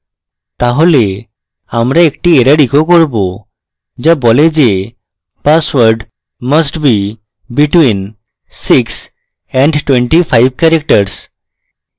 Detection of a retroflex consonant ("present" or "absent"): present